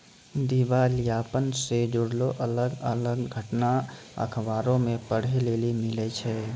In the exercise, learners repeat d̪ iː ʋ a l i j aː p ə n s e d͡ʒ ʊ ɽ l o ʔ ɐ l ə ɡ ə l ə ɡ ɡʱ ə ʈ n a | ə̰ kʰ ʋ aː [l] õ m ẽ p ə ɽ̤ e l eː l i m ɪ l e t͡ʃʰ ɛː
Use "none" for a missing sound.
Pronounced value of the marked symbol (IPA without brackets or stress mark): ɾ